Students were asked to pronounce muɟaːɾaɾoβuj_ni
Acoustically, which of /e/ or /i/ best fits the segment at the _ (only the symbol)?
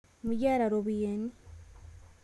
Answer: e